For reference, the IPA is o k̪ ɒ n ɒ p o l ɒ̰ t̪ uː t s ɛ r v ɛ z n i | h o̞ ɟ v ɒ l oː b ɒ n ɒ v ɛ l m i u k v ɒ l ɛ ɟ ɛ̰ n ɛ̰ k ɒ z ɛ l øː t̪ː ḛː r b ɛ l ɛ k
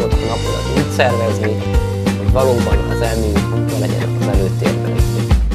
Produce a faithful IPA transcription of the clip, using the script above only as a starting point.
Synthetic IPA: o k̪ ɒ n ɒ p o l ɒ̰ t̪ uː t s ɛ r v ɛ z n i | h o̞ ɟ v ɒ l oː b ɒ n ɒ z ɛ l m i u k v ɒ l ɛ ɟ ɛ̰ n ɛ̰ k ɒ z ɛ l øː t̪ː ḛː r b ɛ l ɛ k